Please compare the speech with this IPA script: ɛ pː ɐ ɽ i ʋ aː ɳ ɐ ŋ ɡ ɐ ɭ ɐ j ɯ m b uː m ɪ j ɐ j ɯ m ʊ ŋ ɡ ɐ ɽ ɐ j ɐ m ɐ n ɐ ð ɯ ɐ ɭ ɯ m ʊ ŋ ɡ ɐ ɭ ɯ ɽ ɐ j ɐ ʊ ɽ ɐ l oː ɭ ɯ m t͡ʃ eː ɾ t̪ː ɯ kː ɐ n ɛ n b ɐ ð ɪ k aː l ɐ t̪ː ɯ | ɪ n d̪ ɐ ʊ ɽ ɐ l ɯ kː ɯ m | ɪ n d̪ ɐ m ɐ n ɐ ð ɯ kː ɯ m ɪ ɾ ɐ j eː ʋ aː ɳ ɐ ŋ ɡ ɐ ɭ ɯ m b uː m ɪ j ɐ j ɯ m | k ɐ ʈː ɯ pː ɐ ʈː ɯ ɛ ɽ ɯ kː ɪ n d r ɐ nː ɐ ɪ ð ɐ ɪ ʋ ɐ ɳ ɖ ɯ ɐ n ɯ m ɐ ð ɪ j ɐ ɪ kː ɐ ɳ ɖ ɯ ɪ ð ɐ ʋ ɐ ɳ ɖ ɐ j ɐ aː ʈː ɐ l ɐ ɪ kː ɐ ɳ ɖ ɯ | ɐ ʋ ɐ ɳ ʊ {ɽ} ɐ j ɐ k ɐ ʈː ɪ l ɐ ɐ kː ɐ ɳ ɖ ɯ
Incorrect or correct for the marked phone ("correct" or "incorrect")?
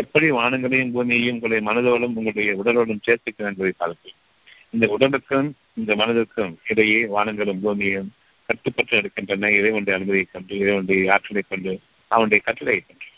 correct